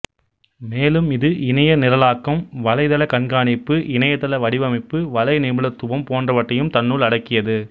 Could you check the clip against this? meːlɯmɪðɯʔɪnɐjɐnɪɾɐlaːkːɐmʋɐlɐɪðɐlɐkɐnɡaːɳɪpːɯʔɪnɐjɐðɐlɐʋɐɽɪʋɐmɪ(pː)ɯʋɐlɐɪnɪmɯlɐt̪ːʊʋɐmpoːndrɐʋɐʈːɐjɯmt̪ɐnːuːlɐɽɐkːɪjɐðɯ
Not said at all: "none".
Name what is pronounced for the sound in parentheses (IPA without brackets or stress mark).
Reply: pː